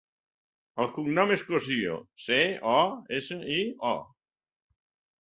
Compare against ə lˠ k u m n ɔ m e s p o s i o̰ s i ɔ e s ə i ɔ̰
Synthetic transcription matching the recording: ə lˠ k u ŋ n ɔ m e s k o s i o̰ s e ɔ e s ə i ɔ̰